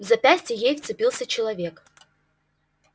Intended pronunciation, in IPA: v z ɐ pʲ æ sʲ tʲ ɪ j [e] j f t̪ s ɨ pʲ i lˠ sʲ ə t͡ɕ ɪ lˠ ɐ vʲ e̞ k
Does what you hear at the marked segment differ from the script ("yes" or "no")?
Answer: no